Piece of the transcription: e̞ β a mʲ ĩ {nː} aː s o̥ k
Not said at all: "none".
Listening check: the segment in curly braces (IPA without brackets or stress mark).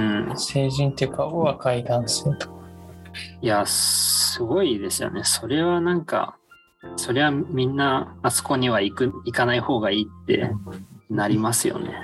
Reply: nː